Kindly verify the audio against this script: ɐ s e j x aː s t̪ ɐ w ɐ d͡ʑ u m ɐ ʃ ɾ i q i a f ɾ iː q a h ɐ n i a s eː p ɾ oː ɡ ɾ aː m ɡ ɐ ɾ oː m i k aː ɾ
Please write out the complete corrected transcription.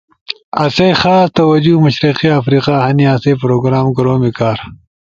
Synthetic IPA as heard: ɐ s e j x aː s t̪ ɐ w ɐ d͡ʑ u m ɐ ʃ ɾ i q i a f ɾ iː q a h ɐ n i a s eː p ɾ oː ɡ ɾ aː m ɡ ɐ ɾ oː m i k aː ɾ